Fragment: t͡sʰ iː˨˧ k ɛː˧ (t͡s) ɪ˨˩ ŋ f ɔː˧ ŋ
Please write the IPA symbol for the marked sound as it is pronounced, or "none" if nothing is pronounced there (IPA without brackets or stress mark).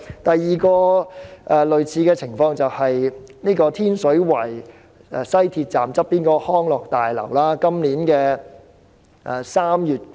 t͡sʰ